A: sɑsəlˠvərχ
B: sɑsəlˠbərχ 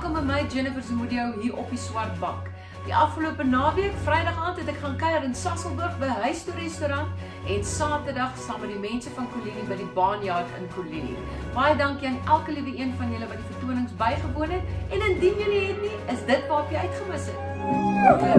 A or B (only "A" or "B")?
B